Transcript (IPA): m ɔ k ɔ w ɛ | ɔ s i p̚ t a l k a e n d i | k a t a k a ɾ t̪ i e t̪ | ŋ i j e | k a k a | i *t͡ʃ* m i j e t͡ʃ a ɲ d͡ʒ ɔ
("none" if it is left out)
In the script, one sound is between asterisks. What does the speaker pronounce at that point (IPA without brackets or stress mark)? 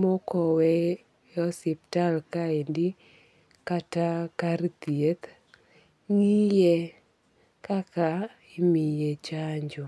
none